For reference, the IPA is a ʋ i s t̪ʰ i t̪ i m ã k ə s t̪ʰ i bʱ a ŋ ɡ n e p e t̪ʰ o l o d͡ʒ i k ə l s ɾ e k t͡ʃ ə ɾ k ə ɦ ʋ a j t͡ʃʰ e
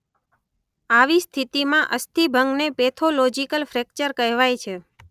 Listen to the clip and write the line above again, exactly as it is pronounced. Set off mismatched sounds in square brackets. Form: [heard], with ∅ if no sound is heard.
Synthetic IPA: a ʋ i s t̪ʰ i t̪ i m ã [ʔ] ə s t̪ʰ i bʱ [ə] ŋ ɡ n e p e t̪ʰ o l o d͡ʒ i k ə l [f] ɾ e k t͡ʃ ə ɾ k ə ɦ ʋ a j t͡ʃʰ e